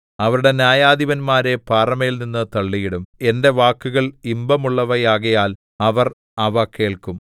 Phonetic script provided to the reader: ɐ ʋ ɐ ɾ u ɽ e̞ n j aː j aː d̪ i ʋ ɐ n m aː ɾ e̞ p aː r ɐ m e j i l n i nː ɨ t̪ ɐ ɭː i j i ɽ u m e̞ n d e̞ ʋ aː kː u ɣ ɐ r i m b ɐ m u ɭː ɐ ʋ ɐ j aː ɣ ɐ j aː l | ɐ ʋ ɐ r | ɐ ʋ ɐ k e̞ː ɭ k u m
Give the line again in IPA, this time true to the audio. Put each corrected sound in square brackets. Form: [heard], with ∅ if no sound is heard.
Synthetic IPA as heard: ɐ ʋ ɐ ɾ u ɽ e̞ n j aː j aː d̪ i ʋ ɐ n m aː ɾ e̞ p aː r ɐ m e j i l n i nː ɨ t̪ ɐ ɭː i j i ɽ u m e̞ n d e̞ ʋ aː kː u ɣ ɐ [ɭ] i m b ɐ m u ɭː ɐ ʋ ɐ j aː ɣ ɐ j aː l | ɐ ʋ ɐ r | ɐ ʋ ɐ k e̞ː ɭ k u m

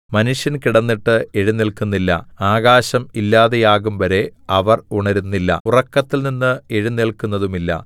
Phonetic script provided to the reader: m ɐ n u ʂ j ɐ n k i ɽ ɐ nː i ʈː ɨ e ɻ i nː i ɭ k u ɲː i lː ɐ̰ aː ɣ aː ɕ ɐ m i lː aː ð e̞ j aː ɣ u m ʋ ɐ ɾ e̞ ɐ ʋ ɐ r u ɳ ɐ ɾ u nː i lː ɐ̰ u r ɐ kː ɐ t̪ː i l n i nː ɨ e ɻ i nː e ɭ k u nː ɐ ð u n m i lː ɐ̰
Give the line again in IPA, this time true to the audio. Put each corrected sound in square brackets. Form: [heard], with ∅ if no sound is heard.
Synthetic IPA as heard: m ɐ n u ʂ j ɐ n k i ɽ ɐ nː i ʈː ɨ e ɻ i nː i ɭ k u [nː] i lː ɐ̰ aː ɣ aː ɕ ɐ m i lː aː ð e̞ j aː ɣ u m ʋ ɐ ɾ e̞ ɐ ʋ ɐ r u ɳ ɐ ɾ u nː i lː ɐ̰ u r ɐ kː ɐ t̪ː i l n i nː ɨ e ɻ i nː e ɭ k u nː ɐ ð u [∅] m i lː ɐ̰

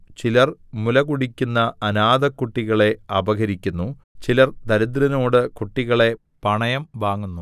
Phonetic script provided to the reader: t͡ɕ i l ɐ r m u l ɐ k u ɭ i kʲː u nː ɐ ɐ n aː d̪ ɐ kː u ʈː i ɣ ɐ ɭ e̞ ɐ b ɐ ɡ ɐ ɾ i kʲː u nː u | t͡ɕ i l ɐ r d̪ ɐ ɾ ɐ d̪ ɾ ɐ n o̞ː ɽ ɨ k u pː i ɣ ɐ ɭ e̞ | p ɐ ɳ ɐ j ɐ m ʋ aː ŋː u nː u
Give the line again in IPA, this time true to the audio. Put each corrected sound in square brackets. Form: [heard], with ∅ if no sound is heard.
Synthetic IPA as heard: t͡ɕ i l ɐ r m u l ɐ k u [ɽ] i kʲː u nː ɐ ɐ n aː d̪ ɐ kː u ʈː i ɣ ɐ ɭ e̞ ɐ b ɐ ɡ ɐ ɾ i kʲː u nː u | t͡ɕ i l ɐ r d̪ ɐ ɾ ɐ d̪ ɾ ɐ n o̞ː ɽ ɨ k u [ʈː] i ɣ ɐ ɭ e̞ | p ɐ ɳ ɐ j ɐ m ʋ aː ŋː u nː u

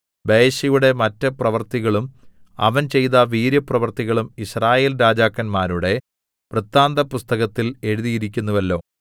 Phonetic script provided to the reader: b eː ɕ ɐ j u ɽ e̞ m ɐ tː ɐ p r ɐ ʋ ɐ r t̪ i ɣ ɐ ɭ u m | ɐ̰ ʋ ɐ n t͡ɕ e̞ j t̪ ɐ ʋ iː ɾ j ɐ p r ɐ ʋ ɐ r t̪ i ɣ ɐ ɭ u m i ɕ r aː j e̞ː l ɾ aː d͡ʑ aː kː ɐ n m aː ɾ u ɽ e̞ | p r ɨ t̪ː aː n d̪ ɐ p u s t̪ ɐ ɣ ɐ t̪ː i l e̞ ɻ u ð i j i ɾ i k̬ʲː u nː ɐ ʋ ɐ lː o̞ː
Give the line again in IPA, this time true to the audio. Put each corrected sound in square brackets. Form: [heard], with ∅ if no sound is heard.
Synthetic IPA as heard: b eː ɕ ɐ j u ɽ e̞ m ɐ tː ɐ p r ɐ ʋ ɐ r t̪ i ɣ ɐ ɭ u m | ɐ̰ ʋ ɐ n t͡ɕ e̞ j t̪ ɐ ʋ iː ɾ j ɐ p r ɐ ʋ ɐ r t̪ i ɣ ɐ ɭ u m i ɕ r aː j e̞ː l ɾ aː d͡ʑ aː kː ɐ n m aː ɾ u ɽ e̞ | p r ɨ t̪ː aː n d̪ ɐ p u s t̪ ɐ ɣ ɐ t̪ː i l e̞ ɻ u ð i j i ɾ i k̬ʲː u nː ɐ ʋ ɐ lː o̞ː

